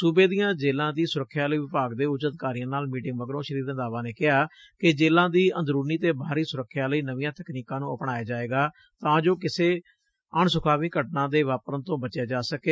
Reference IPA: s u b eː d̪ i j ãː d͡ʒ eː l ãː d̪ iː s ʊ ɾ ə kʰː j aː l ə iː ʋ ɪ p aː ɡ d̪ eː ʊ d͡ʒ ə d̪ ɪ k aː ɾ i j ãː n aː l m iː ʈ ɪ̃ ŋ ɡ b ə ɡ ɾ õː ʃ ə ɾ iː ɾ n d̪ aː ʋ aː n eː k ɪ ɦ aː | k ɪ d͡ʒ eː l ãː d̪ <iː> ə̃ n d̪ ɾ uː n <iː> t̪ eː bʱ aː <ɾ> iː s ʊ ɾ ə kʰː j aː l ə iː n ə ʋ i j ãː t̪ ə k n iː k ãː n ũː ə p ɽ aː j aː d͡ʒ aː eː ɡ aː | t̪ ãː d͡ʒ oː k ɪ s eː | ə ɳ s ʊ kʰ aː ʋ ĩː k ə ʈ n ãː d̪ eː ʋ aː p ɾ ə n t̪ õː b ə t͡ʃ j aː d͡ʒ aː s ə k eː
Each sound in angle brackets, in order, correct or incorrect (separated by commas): correct, correct, correct